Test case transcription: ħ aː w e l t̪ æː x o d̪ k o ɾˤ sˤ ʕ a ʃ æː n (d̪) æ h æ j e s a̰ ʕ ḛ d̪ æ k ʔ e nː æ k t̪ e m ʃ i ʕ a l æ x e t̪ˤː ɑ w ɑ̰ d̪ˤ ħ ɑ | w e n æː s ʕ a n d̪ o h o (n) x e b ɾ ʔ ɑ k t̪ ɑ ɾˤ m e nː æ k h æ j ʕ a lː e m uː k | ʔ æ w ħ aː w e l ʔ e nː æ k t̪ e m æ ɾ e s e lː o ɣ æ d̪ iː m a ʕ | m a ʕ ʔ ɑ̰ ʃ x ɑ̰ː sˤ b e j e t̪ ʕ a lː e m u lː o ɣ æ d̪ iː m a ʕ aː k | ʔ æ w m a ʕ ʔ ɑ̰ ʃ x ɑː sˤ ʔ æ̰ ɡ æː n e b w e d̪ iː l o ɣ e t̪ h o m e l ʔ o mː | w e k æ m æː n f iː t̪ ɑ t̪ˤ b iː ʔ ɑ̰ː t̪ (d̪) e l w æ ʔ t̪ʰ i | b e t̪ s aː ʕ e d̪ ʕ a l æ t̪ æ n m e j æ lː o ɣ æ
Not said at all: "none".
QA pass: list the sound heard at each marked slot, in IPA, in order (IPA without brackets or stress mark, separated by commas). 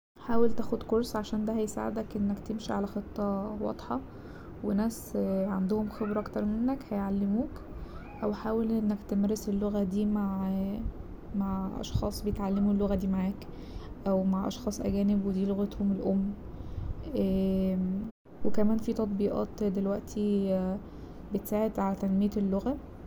d̪, m, d̪